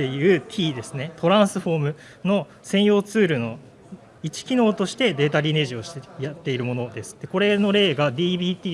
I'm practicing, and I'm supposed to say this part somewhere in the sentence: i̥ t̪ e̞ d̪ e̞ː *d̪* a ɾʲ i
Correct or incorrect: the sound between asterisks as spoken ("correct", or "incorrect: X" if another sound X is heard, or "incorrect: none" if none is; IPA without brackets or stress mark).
incorrect: t̪